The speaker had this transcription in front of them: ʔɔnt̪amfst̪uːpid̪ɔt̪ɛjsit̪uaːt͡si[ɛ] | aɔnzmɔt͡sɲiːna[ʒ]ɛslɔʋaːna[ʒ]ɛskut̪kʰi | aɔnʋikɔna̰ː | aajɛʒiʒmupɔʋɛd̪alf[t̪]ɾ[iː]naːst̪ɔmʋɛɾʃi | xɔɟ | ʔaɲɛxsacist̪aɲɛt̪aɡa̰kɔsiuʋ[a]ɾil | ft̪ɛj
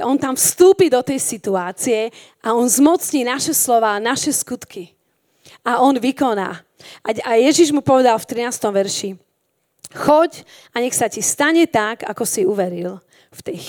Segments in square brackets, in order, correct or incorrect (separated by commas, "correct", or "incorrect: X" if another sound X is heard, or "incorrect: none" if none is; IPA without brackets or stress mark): correct, incorrect: ʃ, incorrect: ʃ, correct, incorrect: i, incorrect: ɛ